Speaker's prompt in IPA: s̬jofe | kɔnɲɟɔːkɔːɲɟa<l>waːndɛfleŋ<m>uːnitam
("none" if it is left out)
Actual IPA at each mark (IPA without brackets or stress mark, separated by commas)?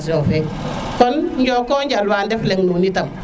l, n